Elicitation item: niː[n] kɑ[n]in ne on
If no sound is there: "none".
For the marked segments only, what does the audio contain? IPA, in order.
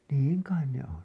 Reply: ŋ, none

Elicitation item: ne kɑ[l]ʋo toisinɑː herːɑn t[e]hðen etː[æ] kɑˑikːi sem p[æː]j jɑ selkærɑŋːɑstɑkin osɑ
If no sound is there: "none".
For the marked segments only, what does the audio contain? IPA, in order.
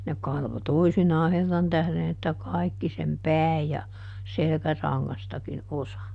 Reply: l, æ, æ, æː

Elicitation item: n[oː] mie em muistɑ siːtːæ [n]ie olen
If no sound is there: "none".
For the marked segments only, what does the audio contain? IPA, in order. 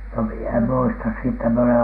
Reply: o, m

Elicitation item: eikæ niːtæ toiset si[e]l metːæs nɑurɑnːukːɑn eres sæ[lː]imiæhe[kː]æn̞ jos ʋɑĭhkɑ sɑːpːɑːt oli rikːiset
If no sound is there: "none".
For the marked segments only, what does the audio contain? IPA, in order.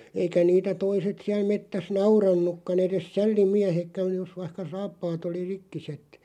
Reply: æ, lː, kː

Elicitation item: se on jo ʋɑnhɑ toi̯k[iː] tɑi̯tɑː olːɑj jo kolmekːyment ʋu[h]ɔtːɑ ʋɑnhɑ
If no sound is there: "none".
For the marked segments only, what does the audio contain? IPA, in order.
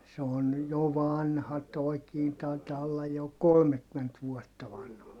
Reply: iː, none

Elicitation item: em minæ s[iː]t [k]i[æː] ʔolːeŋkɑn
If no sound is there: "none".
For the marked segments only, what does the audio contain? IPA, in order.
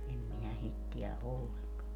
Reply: i, t, æ

